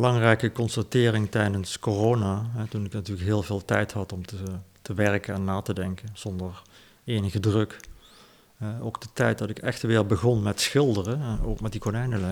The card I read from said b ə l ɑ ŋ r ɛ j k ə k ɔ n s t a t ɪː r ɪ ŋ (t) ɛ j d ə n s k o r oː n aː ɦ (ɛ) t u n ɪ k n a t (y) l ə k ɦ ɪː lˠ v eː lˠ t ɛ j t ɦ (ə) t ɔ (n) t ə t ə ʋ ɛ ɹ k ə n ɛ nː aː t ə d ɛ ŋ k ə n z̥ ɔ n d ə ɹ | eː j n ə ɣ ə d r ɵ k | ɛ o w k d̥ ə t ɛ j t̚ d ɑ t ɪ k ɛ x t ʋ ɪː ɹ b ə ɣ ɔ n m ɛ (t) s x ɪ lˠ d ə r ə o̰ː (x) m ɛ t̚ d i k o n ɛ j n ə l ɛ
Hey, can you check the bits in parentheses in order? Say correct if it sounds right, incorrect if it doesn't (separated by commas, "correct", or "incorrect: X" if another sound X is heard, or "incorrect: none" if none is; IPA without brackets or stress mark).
correct, correct, incorrect: yː, incorrect: ɑ, incorrect: m, correct, incorrect: k